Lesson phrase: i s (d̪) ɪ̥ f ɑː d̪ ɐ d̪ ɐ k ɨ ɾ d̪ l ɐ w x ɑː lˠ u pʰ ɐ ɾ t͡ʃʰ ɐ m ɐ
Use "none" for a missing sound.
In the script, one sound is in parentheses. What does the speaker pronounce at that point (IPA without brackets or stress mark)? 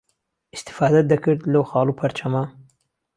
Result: t̪